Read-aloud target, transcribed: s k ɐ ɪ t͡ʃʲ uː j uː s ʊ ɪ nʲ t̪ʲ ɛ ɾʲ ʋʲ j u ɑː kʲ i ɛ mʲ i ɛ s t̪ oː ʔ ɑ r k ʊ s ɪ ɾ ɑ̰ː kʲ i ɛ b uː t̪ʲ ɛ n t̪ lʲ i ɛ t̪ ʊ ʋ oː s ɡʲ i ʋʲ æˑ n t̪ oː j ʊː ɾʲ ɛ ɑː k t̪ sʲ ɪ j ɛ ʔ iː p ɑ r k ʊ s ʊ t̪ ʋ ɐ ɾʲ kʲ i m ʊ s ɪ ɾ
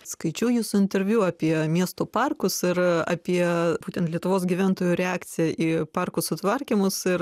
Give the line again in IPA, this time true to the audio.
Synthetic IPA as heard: s k ɐ ɪ t͡ʃʲ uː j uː s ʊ ɪ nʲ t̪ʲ ɛ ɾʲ ʋʲ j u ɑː pʲ i ɛ mʲ i ɛ s t̪ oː p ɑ r k ʊ s ɪ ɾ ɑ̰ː pʲ i ɛ b uː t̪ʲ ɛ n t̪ lʲ i ɛ t̪ ʊ ʋ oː s ɡʲ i ʋʲ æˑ n t̪ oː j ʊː ɾʲ ɛ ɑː k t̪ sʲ ɪ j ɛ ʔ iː p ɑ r k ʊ s ʊ t̪ ʋ ɐ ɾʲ kʲ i m ʊ s ɪ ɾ

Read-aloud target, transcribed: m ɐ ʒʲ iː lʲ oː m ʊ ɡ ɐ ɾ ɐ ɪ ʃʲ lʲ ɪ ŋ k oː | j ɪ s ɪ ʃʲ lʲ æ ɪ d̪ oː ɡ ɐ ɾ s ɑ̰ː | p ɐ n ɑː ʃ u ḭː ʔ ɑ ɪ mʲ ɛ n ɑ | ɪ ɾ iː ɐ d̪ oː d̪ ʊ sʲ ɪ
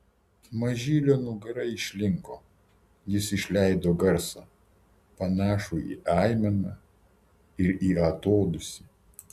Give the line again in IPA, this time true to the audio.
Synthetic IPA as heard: m ɐ ʒʲ iː lʲ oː n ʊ ɡ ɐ ɾ ɐ ɪ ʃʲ lʲ ɪ ŋ k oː | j ɪ s ɪ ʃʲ lʲ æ ɪ d̪ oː ɡ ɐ ɾ s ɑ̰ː | p ɐ n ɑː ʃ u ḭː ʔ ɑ ɪ mʲ ɛ n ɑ | ɪ ɾ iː ɐ t̪ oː d̪ ʊ sʲ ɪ

